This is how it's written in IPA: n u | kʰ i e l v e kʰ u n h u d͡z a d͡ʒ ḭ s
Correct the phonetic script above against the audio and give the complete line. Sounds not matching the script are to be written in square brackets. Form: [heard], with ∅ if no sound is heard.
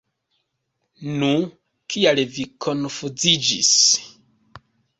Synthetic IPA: n u | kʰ i [a] l v [i] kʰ [o] n [f] u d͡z [i] d͡ʒ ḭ s